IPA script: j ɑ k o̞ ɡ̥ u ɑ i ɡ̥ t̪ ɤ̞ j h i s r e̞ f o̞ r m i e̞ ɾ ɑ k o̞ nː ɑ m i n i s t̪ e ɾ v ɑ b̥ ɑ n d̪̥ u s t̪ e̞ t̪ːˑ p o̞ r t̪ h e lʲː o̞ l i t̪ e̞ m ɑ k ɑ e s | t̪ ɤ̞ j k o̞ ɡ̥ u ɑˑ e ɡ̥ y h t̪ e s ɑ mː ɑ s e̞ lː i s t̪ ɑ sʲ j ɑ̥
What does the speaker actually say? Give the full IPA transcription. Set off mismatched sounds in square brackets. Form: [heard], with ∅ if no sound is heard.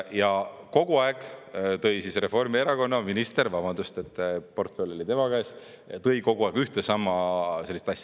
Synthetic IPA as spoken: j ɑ k o̞ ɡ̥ u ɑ [e] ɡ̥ t̪ ɤ̞ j [s] i s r e̞ f o̞ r m i e̞ ɾ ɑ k o̞ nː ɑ m i n i s t̪ e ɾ v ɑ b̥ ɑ n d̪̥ u s t̪ e̞ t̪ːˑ p o̞ r t̪ [f] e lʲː o̞ l i t̪ e̞ m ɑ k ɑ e s | t̪ ɤ̞ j k o̞ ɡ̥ u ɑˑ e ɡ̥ y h t̪ e s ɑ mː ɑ s e̞ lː i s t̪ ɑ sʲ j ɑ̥